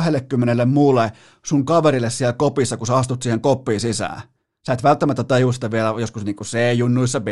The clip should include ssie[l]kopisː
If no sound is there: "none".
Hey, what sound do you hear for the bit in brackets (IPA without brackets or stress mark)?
l